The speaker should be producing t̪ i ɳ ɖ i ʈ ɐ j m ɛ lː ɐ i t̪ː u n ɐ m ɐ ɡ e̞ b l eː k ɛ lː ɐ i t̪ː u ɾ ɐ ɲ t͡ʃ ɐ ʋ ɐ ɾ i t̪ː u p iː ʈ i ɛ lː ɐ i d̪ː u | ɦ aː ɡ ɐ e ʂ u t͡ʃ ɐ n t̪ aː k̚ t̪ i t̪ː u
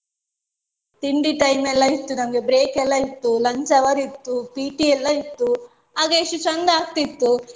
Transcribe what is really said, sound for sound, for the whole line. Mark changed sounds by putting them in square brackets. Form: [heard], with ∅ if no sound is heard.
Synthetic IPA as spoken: t̪ i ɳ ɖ i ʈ ɐ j m ɛ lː ɐ i t̪ː u n ɐ m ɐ ɡ e̞ b [ɾ] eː k ɛ lː ɐ i t̪ː u [l] ɐ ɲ t͡ʃ ɐ ʋ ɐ ɾ i t̪ː u p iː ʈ i ɛ lː ɐ i [t̪ː] u | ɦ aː ɡ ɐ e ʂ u t͡ʃ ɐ n [d̪] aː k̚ t̪ i t̪ː u